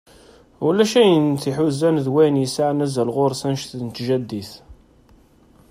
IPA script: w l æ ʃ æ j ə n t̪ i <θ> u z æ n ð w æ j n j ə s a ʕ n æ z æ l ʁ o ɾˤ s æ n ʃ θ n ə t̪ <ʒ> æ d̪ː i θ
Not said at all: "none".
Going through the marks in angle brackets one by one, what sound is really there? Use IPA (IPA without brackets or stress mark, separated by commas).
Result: ħ, ʒ